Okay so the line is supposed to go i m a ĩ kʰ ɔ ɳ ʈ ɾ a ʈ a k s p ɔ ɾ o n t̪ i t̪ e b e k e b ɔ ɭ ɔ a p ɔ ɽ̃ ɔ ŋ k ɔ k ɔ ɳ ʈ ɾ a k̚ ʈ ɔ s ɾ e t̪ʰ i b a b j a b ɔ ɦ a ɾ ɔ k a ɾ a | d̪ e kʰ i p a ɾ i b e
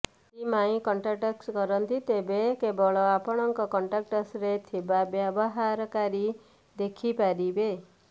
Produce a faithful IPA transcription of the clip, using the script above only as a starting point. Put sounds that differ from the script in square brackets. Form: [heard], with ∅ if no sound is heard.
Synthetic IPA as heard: i m a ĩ [k] ɔ ɳ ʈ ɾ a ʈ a k s [k] ɔ ɾ [ɔ] n t̪ i t̪ e b e k e b ɔ ɭ ɔ a p ɔ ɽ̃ ɔ ŋ k ɔ k ɔ ɳ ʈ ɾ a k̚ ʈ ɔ s ɾ e t̪ʰ i b a b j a b ɔ ɦ a ɾ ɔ k a ɾ [i] | d̪ e kʰ i p a ɾ i b e